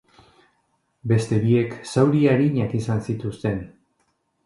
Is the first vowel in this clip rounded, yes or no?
no